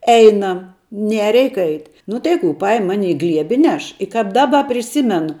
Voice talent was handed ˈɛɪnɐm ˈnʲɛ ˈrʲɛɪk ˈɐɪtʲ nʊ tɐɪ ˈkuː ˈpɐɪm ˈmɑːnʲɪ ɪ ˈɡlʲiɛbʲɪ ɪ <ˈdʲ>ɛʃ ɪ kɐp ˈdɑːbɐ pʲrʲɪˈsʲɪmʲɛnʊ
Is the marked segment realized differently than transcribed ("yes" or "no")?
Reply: yes